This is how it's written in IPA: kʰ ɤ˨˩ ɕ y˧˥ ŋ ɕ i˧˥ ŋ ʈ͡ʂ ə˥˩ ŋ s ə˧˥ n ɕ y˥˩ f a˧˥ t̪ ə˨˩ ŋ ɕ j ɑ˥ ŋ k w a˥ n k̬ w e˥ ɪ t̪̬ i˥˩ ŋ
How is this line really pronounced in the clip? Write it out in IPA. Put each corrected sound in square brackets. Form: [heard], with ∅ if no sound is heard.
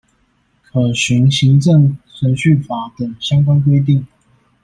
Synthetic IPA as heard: kʰ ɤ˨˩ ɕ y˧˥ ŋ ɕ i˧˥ ŋ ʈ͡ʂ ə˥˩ ŋ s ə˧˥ n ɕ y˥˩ f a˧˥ t̪ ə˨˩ ŋ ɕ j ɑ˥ ŋ k w a˥ n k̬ w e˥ ɪ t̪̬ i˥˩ ŋ

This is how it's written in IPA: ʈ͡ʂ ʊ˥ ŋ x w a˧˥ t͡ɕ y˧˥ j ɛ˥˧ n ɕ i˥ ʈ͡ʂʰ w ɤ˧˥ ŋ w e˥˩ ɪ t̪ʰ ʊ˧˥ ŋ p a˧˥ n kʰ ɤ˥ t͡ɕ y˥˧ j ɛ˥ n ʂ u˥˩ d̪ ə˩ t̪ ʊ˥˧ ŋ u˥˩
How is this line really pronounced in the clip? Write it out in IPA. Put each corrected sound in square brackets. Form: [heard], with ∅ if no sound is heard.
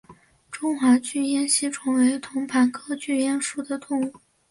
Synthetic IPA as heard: ʈ͡ʂ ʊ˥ ŋ x w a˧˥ t͡ɕ [y˥˧] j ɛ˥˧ n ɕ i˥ ʈ͡ʂʰ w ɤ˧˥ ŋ w [e˧˥] ɪ t̪ʰ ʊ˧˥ ŋ [pʰ] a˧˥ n kʰ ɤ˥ t͡ɕ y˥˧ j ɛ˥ n ʂ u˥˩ d̪ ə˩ t̪ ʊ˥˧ ŋ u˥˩

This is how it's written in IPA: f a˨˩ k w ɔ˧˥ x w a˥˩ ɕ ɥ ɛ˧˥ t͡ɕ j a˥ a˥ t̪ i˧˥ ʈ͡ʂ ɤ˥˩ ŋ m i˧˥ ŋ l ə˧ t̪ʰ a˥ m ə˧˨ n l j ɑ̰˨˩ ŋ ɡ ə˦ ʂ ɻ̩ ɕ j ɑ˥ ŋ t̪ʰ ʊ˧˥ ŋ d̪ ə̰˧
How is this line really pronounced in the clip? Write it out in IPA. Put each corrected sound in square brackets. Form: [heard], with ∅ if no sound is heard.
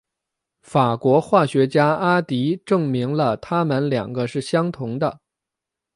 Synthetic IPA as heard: f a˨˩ k w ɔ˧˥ x w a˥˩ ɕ ɥ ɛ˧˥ t͡ɕ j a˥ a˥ t̪ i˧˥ ʈ͡ʂ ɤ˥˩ ŋ m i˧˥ ŋ l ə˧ t̪ʰ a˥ m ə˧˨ n l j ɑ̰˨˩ ŋ ɡ ə˦ ʂ ɻ̩ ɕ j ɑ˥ ŋ t̪ʰ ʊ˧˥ ŋ d̪ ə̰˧

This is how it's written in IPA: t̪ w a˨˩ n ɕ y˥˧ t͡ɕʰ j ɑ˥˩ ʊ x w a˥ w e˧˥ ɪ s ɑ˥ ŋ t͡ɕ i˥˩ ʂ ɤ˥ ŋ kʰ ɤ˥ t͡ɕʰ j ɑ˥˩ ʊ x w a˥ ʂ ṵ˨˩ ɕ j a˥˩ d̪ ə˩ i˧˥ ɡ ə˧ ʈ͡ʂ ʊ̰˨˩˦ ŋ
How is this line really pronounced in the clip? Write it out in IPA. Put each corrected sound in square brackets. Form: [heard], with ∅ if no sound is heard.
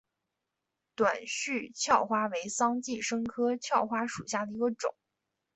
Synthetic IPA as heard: t̪ w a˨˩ n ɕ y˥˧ t͡ɕʰ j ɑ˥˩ ʊ x w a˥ w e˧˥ ɪ s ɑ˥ ŋ t͡ɕ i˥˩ ʂ ɤ˥ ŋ kʰ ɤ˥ t͡ɕʰ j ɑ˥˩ ʊ x w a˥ ʂ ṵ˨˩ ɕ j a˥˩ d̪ ə˩ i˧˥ ɡ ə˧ ʈ͡ʂ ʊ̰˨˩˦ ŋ

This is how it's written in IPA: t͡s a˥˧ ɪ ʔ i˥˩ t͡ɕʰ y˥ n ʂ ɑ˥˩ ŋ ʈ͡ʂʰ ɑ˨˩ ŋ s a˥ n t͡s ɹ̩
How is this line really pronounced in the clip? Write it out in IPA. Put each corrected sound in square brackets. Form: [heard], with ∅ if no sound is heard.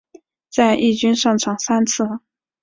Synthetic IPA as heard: t͡s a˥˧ ɪ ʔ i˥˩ [t͡ɕ] y˥ n ʂ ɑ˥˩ ŋ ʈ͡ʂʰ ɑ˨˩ ŋ s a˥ n [t͡sʰ] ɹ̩

